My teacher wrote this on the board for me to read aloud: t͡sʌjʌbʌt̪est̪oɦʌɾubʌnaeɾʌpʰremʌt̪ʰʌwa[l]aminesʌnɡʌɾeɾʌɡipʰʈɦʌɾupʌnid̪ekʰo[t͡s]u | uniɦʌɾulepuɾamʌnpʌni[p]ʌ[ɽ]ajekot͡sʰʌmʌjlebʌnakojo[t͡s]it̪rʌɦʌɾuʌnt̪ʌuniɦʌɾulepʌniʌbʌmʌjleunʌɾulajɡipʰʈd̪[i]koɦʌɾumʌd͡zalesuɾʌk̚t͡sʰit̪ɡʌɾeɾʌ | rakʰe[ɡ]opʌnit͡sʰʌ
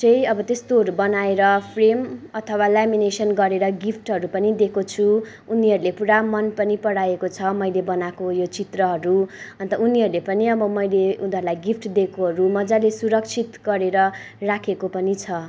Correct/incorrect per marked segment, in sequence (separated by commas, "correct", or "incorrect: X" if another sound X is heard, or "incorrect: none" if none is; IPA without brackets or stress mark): correct, incorrect: t͡sʰ, correct, correct, correct, incorrect: e, incorrect: k